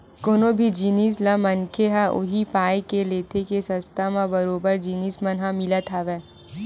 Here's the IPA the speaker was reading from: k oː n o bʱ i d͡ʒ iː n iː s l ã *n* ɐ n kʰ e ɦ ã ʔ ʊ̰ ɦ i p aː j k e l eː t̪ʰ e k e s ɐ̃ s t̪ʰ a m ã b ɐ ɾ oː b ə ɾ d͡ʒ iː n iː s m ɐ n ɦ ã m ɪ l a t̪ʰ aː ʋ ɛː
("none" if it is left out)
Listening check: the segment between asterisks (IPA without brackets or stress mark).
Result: m